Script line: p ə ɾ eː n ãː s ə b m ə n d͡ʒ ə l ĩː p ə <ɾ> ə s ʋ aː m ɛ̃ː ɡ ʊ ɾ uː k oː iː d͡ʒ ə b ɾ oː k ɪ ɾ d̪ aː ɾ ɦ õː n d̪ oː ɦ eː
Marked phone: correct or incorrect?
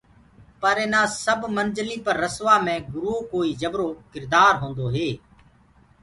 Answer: incorrect